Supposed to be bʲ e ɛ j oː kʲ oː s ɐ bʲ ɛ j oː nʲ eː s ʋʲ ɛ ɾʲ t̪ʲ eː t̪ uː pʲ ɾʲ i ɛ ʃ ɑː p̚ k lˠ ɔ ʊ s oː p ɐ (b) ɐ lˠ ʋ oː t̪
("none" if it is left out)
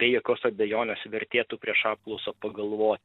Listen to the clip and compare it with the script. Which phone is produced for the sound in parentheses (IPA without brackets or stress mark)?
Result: ɡ